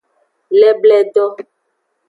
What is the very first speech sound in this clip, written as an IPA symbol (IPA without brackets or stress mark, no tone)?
l